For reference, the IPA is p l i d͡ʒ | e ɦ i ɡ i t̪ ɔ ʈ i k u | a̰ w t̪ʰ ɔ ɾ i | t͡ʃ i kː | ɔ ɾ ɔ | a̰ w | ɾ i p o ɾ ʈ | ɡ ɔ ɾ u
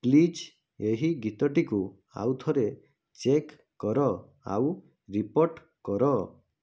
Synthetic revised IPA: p l i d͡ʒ | e ɦ i ɡ i t̪ ɔ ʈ i k u | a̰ w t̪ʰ ɔ ɾ e | t͡ʃ e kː | ɔ ɾ ɔ | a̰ w | ɾ i p o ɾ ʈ | k ɔ ɾ ɔ